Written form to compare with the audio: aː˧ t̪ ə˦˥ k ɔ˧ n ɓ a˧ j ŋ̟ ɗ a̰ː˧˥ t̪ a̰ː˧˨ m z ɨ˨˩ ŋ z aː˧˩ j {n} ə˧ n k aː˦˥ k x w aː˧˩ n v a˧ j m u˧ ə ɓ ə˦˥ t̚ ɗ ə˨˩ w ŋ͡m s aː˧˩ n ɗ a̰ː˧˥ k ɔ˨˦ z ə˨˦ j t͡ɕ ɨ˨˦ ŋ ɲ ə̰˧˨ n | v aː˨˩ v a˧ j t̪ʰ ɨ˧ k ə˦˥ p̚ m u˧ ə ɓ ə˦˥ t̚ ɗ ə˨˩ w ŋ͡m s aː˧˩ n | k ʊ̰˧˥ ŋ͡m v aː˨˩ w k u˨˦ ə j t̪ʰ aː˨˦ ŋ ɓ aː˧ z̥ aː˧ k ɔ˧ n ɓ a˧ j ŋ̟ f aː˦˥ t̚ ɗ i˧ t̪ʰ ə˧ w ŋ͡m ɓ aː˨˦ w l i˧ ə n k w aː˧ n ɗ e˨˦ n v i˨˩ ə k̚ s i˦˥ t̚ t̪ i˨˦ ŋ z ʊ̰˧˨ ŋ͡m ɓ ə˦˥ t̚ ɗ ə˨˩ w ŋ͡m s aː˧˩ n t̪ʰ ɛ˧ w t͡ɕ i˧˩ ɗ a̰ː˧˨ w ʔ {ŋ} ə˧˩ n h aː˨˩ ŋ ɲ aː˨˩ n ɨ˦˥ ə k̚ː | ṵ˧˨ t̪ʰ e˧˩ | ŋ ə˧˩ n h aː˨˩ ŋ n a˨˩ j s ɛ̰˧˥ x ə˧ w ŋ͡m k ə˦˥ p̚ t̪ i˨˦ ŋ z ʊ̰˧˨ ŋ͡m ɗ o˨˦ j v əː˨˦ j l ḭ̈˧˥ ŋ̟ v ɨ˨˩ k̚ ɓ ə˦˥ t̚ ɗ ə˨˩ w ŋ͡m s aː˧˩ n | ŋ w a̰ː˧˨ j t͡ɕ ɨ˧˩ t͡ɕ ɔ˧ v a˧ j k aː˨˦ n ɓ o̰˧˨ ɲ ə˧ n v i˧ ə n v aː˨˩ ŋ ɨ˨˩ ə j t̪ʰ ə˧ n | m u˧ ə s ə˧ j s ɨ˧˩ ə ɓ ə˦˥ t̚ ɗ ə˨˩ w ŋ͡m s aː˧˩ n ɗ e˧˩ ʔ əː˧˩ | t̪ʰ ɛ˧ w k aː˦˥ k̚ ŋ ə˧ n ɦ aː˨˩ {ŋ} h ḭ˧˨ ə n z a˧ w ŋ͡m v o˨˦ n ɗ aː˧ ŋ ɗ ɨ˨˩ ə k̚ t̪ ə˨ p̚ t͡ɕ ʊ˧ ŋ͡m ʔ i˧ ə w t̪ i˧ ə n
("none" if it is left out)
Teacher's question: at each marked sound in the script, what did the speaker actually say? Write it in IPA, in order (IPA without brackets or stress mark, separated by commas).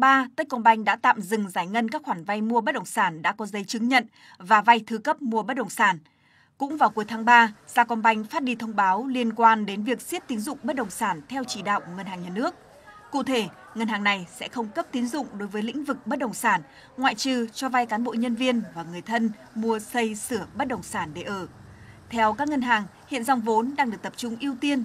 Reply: ŋ, ŋ, ŋ